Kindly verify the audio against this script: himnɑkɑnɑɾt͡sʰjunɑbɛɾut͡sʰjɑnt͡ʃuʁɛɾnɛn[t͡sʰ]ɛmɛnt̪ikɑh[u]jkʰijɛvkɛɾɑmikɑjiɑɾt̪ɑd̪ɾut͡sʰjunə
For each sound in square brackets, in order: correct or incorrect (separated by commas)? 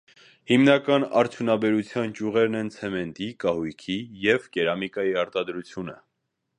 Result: correct, correct